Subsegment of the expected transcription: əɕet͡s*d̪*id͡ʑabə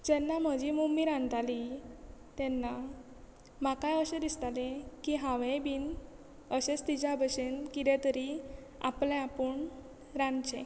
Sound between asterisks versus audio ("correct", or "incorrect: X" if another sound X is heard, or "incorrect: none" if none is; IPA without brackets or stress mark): incorrect: t̪